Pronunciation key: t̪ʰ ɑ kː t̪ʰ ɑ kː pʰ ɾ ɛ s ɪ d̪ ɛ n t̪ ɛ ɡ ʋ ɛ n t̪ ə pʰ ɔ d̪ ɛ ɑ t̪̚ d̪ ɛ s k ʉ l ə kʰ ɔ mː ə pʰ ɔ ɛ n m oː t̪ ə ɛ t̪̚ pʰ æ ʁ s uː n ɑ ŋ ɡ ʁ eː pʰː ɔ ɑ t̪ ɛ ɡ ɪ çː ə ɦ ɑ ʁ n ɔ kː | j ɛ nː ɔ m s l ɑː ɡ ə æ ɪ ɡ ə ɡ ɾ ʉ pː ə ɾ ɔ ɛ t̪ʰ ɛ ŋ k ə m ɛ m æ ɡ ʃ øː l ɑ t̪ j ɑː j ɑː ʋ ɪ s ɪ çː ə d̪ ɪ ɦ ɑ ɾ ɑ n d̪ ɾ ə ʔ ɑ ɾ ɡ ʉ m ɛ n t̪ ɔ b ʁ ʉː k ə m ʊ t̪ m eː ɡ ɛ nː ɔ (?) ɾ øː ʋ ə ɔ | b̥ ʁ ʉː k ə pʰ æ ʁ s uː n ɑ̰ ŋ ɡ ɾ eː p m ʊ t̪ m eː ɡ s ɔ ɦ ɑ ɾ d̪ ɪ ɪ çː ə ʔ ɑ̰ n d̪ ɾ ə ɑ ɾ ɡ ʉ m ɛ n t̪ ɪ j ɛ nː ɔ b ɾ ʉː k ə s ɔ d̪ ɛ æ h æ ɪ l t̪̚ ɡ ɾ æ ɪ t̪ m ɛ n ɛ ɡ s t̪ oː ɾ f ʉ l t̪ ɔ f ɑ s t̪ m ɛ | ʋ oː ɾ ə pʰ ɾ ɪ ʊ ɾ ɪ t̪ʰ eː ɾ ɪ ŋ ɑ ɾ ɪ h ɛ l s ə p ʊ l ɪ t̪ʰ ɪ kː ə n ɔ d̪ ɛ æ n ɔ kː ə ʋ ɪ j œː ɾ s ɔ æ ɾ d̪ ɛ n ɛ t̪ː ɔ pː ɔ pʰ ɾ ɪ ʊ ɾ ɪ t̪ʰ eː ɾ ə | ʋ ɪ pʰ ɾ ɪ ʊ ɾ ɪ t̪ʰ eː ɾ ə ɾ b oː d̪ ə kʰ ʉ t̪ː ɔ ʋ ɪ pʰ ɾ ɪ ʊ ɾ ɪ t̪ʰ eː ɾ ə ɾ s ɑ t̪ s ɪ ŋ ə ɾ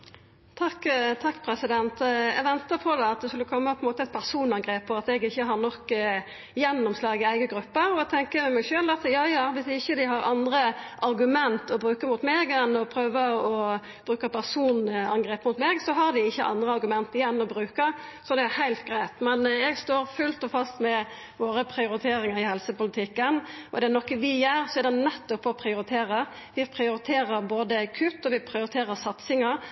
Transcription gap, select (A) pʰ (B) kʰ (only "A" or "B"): A